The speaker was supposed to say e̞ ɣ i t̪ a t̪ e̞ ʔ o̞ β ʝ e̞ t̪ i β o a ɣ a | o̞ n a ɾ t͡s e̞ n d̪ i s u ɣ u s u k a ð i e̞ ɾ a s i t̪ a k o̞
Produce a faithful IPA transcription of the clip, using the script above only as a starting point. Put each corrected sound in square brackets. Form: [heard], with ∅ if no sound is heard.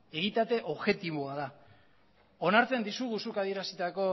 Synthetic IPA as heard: e̞ ɣ i t̪ a t̪ e̞ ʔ o̞ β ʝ e̞ t̪ i β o a [ð] a | o̞ n a ɾ t͡s e̞ n d̪ i s u ɣ u s u k a ð i e̞ ɾ a s i t̪ a k o̞

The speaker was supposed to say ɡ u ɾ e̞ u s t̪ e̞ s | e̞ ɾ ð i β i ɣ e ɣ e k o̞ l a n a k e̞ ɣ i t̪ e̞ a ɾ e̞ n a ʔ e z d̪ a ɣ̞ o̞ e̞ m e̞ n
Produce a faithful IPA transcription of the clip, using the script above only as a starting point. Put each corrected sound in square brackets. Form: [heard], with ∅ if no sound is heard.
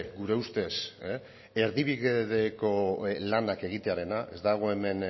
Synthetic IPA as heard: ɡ u ɾ e̞ u s t̪ e̞ s | e̞ ɾ ð i β i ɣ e [ð] e k o̞ l a n a k e̞ ɣ i t̪ e̞ a ɾ e̞ n a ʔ e z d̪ a ɣ̞ o̞ e̞ m e̞ n

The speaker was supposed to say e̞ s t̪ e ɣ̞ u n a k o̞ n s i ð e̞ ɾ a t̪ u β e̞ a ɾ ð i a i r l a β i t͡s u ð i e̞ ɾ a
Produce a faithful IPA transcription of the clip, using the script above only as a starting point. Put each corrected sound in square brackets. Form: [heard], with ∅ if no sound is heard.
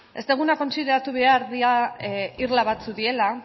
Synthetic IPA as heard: e̞ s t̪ e ɣ̞ u n a k o̞ n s i ð e̞ ɾ a t̪ u β e̞ a ɾ ð i a i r l a β [a] t͡s u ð i e̞ [l] a

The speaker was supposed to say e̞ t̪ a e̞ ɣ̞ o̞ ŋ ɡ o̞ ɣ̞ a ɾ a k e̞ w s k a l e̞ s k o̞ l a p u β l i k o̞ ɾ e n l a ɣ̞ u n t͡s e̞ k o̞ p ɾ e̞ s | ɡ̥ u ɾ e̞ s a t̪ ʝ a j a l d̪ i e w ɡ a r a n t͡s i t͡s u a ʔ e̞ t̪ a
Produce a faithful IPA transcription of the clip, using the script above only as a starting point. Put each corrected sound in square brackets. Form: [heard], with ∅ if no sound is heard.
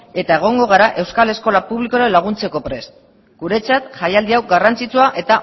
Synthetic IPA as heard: e̞ t̪ a e̞ ɣ̞ o̞ ŋ ɡ o̞ ɣ̞ a ɾ a [ʔ] e̞ w s k a l e̞ s k o̞ l a p u β l i k o̞ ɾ e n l a ɣ̞ u n t͡s e̞ k o̞ p ɾ e̞ s | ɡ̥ u ɾ e̞ [t͡s] a t̪ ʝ a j a l d̪ i [a] w ɡ a r a n t͡s i t͡s u a ʔ e̞ t̪ a

